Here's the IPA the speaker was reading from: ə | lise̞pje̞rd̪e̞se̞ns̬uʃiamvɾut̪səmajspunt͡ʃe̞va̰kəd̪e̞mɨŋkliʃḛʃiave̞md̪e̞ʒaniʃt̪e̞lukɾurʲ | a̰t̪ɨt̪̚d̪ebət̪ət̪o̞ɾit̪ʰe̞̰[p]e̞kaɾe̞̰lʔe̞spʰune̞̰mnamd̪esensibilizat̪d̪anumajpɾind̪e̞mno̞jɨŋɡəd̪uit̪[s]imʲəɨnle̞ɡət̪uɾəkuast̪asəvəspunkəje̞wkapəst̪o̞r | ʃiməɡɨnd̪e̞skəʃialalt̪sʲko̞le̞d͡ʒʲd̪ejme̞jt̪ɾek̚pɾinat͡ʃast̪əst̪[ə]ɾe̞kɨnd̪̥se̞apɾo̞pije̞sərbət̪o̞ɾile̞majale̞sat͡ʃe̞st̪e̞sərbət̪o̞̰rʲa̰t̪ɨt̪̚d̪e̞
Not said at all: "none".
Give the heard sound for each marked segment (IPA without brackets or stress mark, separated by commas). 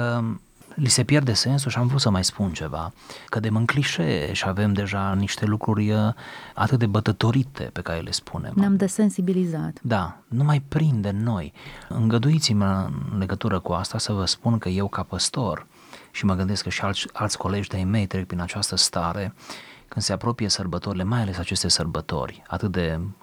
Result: p, s, a